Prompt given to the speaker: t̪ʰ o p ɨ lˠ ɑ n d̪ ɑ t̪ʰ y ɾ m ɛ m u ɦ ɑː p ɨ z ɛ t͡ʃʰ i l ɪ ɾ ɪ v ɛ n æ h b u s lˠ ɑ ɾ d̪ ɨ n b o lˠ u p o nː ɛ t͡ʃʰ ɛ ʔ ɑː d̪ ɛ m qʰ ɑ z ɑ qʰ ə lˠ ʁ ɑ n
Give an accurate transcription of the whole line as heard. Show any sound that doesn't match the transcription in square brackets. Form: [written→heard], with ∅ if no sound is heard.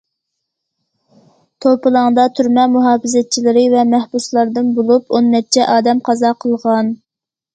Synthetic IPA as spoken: t̪ʰ o p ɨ lˠ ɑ [n→ŋ] d̪ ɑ t̪ʰ y ɾ m ɛ m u ɦ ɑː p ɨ z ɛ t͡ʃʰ i l ɪ ɾ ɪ v ɛ [n→m] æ h b u s lˠ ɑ ɾ d̪ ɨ n b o lˠ u p o nː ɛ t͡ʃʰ ɛ ʔ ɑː d̪ ɛ m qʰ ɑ z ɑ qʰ ə lˠ ʁ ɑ n